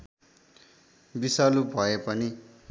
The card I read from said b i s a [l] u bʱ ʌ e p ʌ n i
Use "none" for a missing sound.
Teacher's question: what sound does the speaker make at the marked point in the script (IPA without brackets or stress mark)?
l